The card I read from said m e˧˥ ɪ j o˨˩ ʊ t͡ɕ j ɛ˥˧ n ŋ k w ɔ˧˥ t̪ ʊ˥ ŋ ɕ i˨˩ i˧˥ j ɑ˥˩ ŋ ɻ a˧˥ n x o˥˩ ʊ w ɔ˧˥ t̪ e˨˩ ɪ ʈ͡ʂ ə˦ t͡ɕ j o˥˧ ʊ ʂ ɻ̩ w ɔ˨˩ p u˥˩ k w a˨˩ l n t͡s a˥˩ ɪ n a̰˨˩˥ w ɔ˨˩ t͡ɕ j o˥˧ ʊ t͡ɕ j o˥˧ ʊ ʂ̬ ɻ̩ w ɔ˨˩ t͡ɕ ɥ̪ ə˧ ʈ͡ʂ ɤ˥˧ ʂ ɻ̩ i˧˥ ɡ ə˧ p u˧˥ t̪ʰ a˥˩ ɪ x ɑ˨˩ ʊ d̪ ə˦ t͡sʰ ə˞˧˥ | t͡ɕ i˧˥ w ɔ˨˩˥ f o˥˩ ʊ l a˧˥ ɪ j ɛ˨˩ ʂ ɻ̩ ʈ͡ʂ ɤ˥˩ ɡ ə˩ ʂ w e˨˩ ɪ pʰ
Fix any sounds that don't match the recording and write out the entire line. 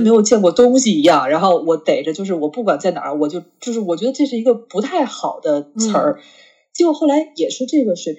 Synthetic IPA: m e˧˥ ɪ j o˨˩ ʊ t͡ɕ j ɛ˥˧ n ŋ k w ɔ˥˩ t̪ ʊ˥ ŋ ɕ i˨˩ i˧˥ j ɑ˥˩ ŋ ɻ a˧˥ n x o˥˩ ʊ w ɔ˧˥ t̪ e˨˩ ɪ ʈ͡ʂ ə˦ t͡ɕ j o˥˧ ʊ ʂ ɻ̩ w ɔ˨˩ p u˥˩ k w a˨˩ n t͡s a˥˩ ɪ n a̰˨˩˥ w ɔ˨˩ t͡ɕ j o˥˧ ʊ t͡ɕ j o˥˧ ʊ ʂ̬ ɻ̩ w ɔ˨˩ t͡ɕ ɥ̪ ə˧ ʈ͡ʂ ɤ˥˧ ʂ ɻ̩ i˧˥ ɡ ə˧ p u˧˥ t̪ʰ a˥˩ ɪ x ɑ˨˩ ʊ d̪ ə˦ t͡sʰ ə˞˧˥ | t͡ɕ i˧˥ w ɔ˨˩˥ x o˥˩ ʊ l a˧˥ ɪ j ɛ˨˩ ʂ ɻ̩ ʈ͡ʂ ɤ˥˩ ɡ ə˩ ʂ w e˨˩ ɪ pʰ